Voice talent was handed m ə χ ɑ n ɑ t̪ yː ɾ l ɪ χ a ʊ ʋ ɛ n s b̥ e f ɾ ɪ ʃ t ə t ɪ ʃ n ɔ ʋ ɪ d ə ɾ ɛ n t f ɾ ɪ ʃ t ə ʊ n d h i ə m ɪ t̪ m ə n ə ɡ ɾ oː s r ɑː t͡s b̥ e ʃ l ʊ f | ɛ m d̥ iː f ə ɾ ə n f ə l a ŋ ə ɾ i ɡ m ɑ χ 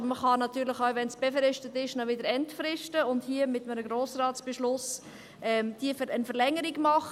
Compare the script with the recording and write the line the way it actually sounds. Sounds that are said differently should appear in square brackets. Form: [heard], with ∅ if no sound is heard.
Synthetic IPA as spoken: m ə χ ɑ n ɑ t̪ yː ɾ l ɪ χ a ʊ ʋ ɛ n s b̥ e f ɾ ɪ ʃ t ə t ɪ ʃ n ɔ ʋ ɪ d ə ɾ ɛ n t f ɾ ɪ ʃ t ə ʊ n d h i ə m ɪ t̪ m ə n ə ɡ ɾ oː s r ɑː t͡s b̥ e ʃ l ʊ [s] | ɛ m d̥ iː f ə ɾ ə n f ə l [ɛ] ŋ ə ɾ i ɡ m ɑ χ